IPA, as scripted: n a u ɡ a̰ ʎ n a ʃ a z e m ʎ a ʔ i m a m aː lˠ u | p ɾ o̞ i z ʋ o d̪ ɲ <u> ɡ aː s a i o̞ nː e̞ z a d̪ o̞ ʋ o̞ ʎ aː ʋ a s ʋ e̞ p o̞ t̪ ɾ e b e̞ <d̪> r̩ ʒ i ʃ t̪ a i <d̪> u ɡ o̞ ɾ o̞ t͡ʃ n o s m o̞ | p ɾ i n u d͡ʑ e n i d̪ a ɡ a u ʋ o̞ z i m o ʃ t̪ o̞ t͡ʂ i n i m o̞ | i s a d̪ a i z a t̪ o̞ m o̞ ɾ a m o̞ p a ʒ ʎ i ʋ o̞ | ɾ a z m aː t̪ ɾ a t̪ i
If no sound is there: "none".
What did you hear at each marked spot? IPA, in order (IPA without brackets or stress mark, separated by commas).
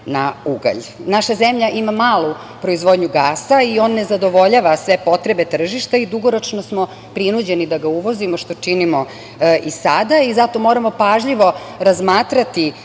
u, t̪, d̪